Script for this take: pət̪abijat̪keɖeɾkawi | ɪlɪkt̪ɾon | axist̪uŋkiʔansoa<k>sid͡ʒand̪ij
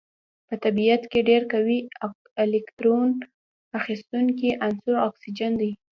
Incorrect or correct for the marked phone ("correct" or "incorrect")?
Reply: correct